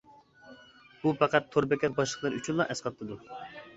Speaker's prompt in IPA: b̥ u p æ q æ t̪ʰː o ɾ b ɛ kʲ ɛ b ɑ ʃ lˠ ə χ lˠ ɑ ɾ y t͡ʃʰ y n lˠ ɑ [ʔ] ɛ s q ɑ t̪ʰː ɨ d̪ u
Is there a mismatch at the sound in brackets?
no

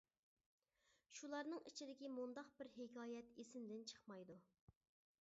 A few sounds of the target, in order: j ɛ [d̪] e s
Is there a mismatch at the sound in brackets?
yes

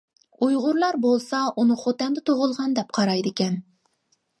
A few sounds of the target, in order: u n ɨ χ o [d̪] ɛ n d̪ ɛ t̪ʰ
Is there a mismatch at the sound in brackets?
yes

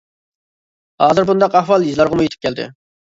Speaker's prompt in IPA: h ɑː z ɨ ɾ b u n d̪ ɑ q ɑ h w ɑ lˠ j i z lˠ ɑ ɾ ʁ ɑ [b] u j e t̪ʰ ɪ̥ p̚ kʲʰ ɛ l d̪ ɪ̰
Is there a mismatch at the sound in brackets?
yes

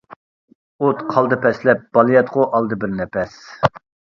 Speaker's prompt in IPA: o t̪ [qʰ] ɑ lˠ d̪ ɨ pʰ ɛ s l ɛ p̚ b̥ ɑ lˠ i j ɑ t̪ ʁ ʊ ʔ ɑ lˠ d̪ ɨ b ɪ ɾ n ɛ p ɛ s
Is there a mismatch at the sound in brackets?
no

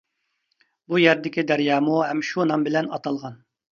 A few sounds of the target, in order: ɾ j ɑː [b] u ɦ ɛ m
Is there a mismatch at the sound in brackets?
yes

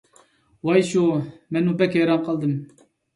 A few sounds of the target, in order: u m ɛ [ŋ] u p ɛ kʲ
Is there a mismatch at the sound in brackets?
yes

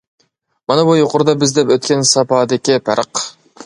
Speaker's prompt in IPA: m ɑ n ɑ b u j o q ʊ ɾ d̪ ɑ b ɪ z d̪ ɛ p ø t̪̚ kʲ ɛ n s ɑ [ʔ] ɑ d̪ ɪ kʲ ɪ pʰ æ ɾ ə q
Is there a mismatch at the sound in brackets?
yes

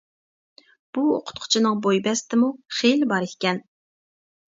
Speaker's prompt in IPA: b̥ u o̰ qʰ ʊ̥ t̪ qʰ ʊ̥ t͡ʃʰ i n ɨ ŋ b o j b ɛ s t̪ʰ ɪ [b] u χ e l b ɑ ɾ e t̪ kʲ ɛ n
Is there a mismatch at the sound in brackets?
yes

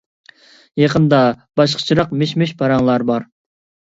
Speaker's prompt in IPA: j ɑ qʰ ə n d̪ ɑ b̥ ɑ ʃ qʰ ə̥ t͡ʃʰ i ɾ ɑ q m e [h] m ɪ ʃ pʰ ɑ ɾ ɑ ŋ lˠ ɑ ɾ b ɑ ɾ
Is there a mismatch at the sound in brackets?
yes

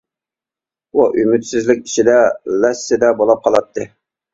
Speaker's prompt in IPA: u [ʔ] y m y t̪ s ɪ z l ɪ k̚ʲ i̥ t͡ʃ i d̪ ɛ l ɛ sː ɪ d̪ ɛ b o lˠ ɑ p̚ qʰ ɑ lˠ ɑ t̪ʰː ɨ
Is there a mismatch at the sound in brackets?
no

